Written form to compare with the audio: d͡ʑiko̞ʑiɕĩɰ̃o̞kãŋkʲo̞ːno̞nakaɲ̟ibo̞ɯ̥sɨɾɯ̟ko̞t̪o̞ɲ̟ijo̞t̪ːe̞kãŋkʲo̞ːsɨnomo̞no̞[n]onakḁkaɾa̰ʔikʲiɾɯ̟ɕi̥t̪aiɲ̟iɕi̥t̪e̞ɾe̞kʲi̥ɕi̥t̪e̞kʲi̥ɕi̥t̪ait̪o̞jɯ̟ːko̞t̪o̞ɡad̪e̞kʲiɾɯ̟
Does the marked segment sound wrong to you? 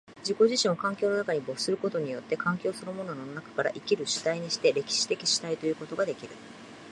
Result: no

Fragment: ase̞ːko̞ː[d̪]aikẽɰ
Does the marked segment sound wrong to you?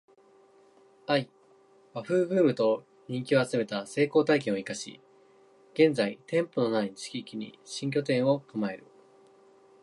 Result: yes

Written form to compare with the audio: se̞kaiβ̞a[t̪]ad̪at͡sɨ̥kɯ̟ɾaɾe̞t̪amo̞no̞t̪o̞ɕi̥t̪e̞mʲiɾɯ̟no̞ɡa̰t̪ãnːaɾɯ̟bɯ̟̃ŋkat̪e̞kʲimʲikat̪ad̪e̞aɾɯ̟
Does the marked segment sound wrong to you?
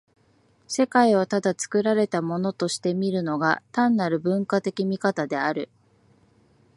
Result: no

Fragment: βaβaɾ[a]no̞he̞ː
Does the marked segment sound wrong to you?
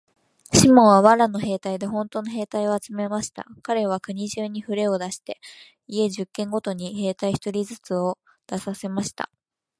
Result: no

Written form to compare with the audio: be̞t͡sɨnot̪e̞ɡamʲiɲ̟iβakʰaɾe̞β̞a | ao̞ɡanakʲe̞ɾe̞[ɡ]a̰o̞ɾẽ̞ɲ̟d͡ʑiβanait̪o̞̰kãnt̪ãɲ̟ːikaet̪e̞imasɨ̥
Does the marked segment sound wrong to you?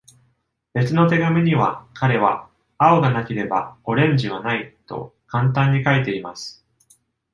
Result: yes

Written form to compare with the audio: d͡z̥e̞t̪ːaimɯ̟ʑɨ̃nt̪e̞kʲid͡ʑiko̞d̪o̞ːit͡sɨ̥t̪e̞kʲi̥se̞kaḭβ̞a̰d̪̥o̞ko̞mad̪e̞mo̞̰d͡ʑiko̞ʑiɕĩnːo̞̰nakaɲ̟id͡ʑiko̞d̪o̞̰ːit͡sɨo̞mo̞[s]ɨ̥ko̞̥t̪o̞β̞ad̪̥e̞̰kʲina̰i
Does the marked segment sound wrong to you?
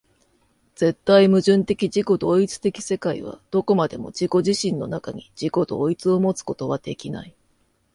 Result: yes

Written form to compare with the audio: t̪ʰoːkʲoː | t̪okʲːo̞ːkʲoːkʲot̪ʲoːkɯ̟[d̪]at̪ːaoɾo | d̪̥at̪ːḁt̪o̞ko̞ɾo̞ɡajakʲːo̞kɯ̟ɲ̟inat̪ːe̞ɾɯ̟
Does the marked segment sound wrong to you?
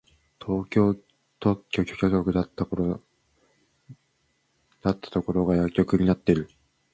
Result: no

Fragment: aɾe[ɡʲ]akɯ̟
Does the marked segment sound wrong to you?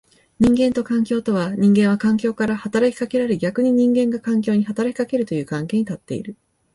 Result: no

